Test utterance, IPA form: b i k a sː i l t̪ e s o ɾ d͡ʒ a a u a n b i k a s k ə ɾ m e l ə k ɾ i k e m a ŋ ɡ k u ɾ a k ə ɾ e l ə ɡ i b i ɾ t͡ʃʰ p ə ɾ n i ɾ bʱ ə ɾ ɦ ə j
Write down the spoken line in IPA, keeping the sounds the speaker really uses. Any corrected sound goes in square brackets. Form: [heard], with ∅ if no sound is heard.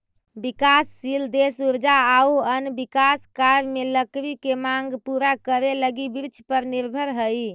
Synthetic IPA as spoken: b i k a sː i l [d̪] e s [u] ɾ d͡ʒ a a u [ə] n b i k a s k [a] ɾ m e l ə k ɾ i k e m a ŋ ɡ [p] u ɾ a k ə ɾ e l ə ɡ i b i ɾ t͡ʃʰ p ə ɾ n i ɾ bʱ ə ɾ ɦ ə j